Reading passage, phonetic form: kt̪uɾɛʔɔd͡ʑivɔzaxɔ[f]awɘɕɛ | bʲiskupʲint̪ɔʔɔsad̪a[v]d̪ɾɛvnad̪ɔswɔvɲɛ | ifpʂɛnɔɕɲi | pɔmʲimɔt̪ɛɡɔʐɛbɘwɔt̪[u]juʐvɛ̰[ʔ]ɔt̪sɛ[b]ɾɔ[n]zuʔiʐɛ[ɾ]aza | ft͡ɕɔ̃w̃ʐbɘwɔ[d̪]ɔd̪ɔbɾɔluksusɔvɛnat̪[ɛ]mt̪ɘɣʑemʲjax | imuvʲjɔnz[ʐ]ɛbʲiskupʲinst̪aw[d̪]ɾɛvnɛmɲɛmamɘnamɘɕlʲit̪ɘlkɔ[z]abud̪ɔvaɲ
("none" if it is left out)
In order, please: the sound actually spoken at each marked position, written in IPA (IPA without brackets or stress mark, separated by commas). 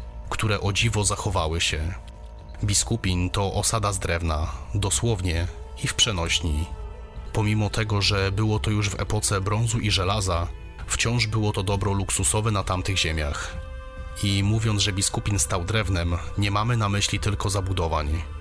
v, z, ɔ, p, b, n, l, t̪, a, ʐ, d̪, z